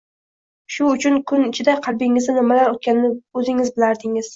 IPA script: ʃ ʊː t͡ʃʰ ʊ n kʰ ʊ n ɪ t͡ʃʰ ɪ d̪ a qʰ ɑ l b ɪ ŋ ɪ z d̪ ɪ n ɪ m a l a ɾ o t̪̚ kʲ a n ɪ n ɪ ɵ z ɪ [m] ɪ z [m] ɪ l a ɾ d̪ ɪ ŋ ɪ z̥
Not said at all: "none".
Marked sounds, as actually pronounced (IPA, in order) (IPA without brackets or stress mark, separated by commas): ŋ, b